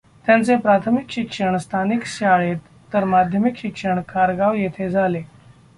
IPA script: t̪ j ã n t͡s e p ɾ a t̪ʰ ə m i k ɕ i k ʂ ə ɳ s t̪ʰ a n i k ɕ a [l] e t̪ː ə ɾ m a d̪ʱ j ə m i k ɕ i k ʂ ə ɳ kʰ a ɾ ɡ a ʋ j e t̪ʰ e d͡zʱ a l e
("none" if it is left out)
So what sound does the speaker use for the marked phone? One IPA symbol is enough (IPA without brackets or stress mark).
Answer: ɭ